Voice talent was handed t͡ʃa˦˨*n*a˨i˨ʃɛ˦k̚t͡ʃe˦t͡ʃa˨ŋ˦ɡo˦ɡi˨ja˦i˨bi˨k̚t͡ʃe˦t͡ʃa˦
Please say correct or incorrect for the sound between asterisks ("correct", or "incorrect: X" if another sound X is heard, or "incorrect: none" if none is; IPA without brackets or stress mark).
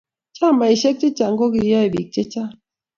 incorrect: m